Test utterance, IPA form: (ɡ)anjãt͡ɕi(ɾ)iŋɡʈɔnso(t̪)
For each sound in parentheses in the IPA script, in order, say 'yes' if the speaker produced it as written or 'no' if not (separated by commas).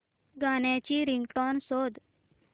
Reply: yes, yes, no